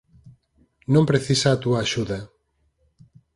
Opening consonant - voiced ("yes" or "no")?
yes